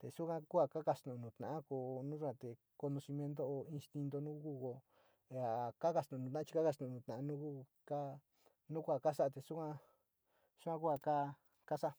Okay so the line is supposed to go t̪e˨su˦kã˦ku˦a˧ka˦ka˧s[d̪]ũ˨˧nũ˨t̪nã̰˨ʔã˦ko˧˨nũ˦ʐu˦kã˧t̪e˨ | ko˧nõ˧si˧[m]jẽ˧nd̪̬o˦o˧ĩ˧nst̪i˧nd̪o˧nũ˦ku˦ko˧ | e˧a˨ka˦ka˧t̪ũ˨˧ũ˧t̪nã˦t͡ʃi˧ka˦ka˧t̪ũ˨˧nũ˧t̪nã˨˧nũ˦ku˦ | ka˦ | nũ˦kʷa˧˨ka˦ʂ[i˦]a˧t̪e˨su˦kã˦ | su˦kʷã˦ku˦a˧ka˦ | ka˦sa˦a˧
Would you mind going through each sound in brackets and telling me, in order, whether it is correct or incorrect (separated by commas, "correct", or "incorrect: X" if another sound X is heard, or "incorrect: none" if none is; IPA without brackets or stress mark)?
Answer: incorrect: t̪, correct, incorrect: a˦